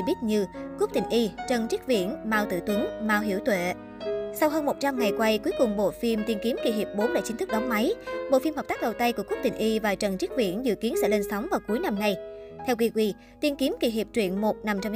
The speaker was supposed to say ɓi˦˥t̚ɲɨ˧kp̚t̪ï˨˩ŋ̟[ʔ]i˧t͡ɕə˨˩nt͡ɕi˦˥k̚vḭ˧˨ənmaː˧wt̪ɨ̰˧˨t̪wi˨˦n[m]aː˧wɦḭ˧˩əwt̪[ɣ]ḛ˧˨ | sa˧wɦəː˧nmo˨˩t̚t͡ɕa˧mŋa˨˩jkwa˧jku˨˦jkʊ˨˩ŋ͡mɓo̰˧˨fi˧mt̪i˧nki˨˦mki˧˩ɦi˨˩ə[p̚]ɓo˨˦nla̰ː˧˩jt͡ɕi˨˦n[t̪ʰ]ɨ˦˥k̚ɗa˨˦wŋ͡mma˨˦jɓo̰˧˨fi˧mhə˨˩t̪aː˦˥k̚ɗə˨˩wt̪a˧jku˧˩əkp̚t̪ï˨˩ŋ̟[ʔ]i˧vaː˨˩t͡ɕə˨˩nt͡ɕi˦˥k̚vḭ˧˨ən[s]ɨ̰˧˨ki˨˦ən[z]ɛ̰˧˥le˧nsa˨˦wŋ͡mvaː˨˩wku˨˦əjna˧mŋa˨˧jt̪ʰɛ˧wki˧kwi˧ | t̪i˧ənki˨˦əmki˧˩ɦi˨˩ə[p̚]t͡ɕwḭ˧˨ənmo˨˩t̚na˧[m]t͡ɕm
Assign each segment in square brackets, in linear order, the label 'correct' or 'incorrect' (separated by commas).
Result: correct, correct, incorrect, correct, incorrect, correct, incorrect, incorrect, correct, correct